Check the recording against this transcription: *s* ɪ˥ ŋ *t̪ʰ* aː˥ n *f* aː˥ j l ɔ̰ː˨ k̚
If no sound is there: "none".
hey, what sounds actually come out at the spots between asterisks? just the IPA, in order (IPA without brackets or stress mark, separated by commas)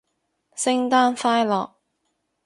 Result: s, t̪, f